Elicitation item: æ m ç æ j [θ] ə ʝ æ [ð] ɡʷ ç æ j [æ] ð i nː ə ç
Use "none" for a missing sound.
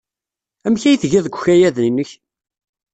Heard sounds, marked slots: θ, ð, æ

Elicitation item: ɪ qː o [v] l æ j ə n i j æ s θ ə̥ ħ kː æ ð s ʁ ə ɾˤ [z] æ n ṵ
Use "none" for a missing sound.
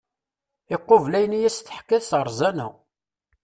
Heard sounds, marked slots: v, z

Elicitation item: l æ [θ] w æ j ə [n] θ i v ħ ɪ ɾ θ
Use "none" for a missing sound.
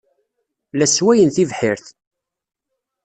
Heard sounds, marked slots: s, n

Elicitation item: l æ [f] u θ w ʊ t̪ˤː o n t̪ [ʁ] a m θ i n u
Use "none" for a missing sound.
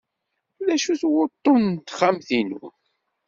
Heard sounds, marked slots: ʃ, χ

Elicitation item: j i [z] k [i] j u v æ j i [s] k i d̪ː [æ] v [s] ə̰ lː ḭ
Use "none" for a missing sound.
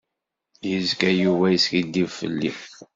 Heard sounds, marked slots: z, æ, s, i, f

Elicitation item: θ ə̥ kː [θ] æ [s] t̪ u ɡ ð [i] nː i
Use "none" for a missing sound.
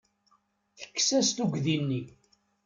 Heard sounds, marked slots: s, s, i

